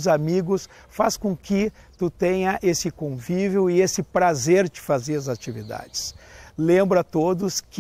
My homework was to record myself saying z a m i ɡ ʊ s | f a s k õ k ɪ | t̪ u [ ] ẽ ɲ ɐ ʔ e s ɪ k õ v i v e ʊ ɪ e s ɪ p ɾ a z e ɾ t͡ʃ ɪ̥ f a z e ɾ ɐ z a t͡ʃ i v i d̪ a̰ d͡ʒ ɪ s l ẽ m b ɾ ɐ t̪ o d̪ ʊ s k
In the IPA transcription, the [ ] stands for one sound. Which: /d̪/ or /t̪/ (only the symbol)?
t̪